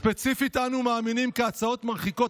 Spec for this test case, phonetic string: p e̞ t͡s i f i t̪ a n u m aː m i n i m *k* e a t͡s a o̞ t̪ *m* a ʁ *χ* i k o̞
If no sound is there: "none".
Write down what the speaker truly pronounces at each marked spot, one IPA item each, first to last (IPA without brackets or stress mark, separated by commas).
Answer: k, m, χ